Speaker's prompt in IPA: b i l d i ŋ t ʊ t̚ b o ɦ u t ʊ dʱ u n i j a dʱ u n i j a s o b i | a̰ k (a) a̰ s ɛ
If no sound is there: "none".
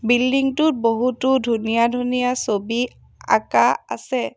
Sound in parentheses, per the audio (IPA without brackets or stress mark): a